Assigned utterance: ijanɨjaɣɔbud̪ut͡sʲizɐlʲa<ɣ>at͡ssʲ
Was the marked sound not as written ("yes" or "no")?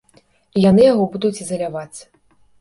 yes